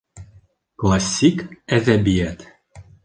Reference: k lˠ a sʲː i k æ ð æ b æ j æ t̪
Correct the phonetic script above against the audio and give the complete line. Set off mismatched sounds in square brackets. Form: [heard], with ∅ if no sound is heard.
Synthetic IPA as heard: k lˠ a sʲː i k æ ð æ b [i] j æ t̪